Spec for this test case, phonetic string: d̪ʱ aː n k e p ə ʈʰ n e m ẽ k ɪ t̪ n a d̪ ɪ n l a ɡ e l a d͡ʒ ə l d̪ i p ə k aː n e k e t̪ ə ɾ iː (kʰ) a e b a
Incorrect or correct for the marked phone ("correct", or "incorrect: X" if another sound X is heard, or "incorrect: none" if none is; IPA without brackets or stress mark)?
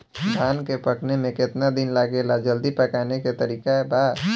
incorrect: k